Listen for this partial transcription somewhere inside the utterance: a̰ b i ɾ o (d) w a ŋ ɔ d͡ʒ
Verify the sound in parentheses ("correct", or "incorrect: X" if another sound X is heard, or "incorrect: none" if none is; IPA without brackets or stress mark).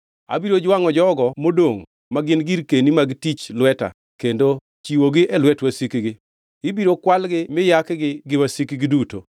incorrect: d͡ʒ